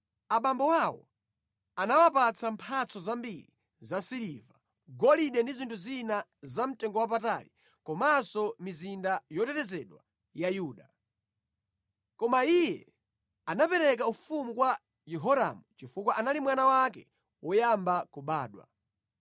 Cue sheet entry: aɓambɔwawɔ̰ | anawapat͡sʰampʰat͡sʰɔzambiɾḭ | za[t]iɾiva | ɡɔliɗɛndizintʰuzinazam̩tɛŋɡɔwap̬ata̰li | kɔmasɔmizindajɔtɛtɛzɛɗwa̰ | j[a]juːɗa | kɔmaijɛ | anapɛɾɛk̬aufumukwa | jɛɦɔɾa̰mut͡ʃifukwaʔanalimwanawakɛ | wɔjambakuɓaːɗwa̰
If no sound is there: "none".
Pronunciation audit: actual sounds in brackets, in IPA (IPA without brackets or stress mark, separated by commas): s, a